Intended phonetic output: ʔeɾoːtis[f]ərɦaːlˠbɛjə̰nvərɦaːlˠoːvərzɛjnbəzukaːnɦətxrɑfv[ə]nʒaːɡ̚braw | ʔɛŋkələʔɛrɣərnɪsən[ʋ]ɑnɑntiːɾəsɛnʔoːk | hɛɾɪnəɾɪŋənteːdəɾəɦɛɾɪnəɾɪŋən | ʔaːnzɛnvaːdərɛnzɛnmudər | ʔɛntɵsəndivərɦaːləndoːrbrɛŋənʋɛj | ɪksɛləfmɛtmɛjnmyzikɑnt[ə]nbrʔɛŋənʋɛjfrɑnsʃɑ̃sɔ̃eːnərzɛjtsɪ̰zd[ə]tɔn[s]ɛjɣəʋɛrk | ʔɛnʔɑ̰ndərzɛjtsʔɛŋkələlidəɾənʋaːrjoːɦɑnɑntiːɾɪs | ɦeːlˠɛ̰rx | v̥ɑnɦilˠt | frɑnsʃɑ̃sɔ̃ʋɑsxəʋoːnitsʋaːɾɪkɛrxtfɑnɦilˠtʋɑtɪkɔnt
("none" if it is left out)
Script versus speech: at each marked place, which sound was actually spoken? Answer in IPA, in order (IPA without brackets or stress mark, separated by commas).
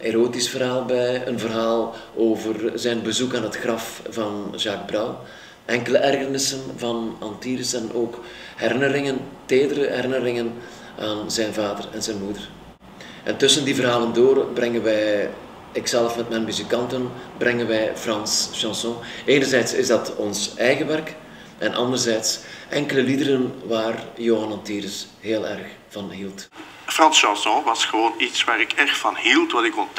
f, ɑ, v, ə, ɑ, s